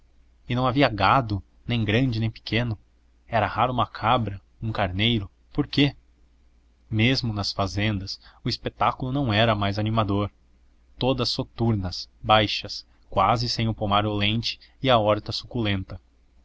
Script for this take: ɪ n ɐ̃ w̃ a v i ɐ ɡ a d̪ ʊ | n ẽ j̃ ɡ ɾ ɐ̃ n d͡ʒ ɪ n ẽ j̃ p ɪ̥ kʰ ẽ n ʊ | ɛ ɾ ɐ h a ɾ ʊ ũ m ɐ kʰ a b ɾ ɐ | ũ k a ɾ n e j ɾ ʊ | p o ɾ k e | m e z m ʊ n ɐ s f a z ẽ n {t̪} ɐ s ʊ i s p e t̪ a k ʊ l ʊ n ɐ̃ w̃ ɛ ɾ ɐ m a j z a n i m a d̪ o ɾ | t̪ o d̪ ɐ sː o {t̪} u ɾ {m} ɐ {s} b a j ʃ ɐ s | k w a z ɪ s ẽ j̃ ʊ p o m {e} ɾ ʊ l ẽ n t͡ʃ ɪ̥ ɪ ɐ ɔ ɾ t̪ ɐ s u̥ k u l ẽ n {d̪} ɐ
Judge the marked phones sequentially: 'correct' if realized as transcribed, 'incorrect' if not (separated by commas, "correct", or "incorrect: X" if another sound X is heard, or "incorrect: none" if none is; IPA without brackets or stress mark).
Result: incorrect: d̪, correct, incorrect: n, correct, incorrect: a, incorrect: t̪